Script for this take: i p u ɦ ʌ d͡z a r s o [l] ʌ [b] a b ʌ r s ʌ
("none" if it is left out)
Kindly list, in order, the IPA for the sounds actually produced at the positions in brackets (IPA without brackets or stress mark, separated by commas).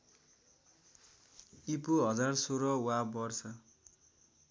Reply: ɾ, w